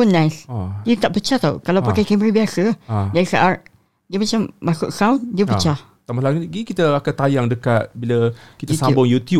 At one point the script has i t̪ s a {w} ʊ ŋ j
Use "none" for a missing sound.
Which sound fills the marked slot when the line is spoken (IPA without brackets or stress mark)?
b